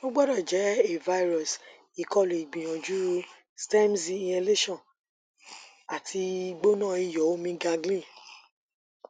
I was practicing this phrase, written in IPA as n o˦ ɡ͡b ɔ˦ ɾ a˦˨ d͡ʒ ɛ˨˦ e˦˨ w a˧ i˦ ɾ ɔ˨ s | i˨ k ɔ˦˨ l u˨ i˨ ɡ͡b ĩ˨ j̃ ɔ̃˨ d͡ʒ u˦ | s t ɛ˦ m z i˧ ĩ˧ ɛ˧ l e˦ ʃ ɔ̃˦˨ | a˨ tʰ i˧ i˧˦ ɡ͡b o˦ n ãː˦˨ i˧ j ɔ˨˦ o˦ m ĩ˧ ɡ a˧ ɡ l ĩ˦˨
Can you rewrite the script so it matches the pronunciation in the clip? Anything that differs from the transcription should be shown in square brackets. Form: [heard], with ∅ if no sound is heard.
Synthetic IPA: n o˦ ɡ͡b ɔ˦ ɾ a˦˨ d͡ʒ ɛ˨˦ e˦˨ [v] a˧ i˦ ɾ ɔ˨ s | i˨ k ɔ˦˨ l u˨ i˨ ɡ͡b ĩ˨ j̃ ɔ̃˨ d͡ʒ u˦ | s t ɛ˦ m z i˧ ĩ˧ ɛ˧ l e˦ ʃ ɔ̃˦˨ | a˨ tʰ i˧ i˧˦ ɡ͡b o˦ n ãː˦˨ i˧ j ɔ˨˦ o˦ m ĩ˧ ɡ a˧ ɡ l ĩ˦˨